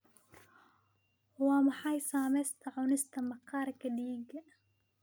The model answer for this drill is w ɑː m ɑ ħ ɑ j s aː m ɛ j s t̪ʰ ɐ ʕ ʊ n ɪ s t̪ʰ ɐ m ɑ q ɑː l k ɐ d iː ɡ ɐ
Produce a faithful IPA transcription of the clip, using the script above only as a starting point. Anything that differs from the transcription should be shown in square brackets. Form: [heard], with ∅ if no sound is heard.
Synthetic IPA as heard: w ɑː m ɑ ħ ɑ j s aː m ɛ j s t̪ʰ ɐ ʕ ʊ n ɪ s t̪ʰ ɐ m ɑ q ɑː [ɾ] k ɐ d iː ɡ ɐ